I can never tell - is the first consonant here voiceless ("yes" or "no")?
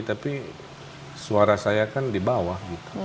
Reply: yes